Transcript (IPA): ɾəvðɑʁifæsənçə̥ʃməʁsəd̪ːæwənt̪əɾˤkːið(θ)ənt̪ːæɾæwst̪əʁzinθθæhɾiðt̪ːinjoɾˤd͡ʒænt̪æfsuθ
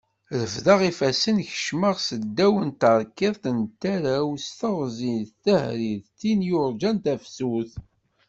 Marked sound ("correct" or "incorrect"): correct